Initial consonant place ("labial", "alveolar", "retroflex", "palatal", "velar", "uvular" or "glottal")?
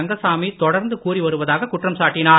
velar